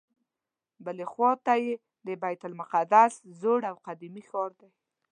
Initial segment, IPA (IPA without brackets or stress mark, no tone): b